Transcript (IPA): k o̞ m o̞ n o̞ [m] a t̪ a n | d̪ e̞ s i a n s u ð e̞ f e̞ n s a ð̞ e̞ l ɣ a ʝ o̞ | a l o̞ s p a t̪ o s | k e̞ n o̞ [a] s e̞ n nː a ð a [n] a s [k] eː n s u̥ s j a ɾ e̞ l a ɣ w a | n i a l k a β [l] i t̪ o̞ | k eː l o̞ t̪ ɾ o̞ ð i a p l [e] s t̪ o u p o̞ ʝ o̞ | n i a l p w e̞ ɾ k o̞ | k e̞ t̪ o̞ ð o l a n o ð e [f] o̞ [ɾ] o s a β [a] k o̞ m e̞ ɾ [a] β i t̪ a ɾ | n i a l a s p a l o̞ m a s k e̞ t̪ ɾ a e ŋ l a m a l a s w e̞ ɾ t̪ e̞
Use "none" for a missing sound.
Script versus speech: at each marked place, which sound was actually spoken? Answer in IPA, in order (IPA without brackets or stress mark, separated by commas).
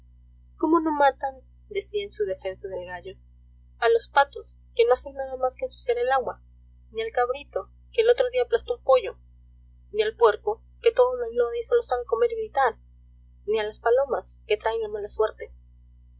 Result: m, a, m, k, ɾ, a, s, l, e, i